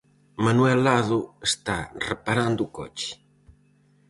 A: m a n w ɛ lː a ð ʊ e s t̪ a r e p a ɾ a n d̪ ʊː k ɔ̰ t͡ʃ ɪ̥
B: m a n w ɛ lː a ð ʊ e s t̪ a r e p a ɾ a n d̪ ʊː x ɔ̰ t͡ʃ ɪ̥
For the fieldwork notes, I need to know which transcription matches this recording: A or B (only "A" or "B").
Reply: A